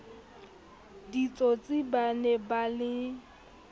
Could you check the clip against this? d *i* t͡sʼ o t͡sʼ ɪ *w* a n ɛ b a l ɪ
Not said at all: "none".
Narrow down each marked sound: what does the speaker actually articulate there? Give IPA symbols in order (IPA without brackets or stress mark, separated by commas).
i, b